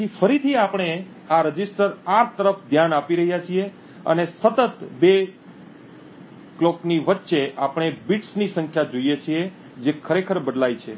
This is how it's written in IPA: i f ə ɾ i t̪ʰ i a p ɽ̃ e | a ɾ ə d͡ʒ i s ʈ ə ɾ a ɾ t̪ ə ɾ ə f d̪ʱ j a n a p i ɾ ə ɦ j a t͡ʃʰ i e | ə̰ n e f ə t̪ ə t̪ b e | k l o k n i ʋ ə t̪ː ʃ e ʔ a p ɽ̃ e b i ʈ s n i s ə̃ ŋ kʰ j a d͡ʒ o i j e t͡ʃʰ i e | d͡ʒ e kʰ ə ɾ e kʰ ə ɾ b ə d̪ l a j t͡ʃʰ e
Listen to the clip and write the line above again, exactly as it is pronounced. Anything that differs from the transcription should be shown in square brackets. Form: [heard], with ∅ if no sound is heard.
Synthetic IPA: i f ə ɾ i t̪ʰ i a p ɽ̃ e | a ɾ ə d͡ʒ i s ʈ ə ɾ a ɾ t̪ ə ɾ ə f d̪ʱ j a n a p i ɾ ə ɦ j a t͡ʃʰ i e | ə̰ n e [s] ə t̪ ə t̪ b e | k l o k n i ʋ ə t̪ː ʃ e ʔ a p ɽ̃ e b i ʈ s n i s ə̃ ŋ kʰ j a d͡ʒ o i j e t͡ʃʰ i e | d͡ʒ e kʰ ə ɾ e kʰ ə ɾ b ə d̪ l a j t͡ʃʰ e